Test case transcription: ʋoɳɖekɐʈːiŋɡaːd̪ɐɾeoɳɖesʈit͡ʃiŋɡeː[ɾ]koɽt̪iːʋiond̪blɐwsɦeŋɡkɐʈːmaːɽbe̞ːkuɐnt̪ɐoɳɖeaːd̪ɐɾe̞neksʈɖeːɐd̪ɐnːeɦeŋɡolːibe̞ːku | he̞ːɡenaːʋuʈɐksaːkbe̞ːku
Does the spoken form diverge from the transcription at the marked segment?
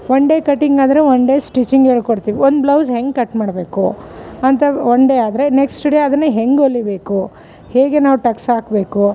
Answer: yes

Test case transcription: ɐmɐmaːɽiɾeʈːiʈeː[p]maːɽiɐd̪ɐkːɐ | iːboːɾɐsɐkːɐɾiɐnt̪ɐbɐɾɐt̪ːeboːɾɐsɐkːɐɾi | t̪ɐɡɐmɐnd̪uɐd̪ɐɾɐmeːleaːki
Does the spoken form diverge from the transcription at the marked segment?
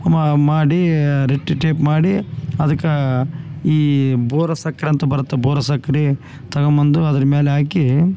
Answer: no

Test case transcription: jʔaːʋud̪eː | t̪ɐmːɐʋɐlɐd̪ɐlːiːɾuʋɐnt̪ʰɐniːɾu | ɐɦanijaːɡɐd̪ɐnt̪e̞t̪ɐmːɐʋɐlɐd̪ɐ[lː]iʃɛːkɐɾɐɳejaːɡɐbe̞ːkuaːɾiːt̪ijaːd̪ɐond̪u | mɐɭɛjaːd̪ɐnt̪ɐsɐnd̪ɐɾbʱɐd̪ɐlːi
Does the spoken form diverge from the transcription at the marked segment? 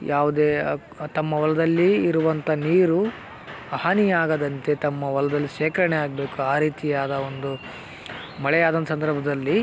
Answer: no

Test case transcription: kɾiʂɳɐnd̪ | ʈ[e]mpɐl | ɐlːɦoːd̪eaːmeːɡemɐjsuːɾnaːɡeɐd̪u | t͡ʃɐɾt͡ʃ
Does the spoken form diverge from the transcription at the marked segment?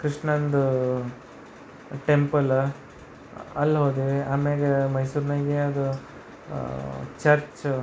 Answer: no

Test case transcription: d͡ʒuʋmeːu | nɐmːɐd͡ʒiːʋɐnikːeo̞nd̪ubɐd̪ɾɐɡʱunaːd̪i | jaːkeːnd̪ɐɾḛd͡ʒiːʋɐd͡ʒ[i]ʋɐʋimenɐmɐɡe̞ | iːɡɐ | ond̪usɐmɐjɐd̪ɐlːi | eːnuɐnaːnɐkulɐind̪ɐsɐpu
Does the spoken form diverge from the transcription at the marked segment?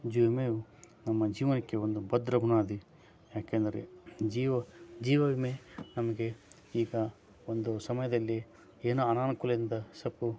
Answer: yes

